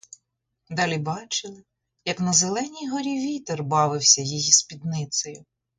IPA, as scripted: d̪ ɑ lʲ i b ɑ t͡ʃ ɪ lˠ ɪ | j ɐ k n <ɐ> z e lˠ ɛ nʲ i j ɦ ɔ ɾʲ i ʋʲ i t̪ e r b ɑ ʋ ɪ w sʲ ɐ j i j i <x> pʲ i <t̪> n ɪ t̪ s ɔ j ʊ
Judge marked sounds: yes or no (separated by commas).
yes, no, no